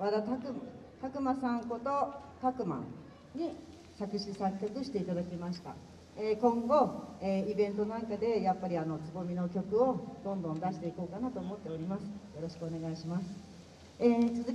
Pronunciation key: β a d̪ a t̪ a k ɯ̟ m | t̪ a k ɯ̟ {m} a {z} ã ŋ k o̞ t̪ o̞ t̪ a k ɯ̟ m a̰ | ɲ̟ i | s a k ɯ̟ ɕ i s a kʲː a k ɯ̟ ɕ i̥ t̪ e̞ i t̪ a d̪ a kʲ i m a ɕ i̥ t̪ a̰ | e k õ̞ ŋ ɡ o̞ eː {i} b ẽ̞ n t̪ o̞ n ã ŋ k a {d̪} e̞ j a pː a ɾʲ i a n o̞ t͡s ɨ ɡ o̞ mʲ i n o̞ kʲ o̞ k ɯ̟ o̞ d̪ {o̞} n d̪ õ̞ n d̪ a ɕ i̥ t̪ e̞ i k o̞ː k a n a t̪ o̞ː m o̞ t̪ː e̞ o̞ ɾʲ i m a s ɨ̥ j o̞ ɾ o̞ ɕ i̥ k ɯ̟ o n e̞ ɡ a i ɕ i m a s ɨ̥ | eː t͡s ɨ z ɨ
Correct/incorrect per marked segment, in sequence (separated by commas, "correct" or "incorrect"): correct, incorrect, correct, correct, incorrect